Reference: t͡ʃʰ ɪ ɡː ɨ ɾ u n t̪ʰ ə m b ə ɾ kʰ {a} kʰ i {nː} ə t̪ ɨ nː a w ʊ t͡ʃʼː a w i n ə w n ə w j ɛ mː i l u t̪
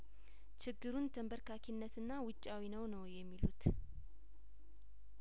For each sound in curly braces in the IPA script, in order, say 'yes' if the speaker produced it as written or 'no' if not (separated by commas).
yes, yes